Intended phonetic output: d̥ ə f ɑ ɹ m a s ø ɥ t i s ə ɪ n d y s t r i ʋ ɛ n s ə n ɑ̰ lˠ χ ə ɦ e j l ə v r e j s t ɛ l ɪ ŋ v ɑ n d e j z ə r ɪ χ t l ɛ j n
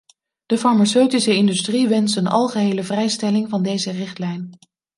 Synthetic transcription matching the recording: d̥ ə f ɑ ɹ m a s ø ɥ t i s ə ɪ n d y s t r i ʋ ɛ n s ə n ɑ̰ lˠ χ ə ɦ e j l ə v r ɛ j s t ɛ l ɪ ŋ v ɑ n d e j z ə r ɪ χ t l ɛ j n